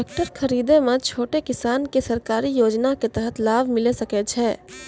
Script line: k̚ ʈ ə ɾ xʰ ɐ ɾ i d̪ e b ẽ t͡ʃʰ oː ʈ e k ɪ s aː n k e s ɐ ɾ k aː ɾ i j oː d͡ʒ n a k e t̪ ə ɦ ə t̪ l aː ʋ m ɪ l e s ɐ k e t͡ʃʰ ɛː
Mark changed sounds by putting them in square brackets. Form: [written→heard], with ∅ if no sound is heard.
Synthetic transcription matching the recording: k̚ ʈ ə ɾ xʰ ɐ ɾ [i→iː] d̪ e [b→m] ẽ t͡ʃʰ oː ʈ e k ɪ s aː n k e s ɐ ɾ k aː ɾ i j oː d͡ʒ n a k e t̪ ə ɦ ə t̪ l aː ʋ m ɪ l e s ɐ k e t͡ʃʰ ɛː